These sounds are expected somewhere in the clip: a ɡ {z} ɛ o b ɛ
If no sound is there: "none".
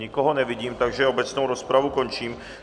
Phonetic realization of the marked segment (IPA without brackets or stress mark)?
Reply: ʒ